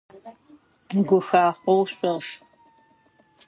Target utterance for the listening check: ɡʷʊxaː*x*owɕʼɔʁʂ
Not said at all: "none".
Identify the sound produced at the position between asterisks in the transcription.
χ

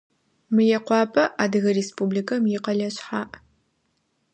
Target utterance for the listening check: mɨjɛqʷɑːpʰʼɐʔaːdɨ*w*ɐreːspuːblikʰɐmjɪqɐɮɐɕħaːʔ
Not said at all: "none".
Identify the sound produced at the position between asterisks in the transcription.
ɣ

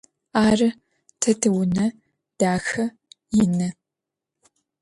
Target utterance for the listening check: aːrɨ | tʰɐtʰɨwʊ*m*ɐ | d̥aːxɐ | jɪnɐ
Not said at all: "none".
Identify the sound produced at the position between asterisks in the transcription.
n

